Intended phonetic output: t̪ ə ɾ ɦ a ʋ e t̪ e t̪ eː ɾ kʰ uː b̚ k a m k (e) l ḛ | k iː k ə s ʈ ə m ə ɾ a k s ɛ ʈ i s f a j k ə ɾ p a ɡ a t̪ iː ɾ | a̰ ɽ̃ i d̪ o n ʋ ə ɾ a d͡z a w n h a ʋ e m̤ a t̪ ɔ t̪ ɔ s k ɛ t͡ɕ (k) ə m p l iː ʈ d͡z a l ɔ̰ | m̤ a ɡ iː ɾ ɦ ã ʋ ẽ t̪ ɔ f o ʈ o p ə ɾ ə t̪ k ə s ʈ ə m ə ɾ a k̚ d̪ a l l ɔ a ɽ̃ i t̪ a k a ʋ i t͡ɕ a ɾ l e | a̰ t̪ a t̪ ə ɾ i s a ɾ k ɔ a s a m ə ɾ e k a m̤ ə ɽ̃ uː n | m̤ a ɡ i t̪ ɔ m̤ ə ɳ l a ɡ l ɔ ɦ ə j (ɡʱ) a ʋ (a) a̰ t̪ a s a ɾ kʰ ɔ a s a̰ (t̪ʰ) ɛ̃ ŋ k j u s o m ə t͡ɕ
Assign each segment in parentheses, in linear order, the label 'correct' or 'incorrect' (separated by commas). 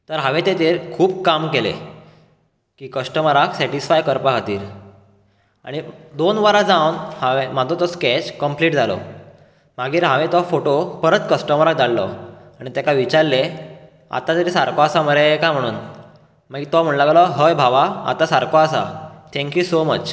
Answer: correct, correct, incorrect, correct, correct